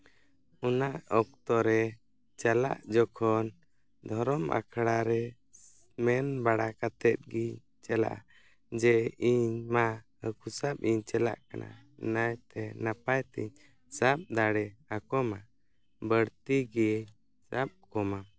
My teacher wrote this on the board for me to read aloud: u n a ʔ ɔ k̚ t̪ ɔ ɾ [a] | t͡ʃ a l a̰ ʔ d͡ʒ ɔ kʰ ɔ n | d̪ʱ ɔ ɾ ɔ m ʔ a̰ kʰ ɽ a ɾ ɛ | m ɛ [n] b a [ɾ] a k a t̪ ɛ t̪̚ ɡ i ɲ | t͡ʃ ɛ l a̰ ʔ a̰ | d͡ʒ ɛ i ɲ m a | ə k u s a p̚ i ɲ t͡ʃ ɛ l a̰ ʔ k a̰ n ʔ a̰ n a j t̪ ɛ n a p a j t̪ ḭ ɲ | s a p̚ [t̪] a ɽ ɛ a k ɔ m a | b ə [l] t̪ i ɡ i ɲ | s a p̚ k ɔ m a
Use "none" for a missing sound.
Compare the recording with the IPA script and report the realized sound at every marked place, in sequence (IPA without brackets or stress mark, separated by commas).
ɛ, n, ɽ, d̪, ɽ